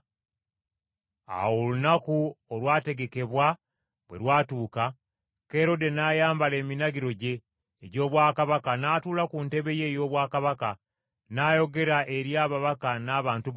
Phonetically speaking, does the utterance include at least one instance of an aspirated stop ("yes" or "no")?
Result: no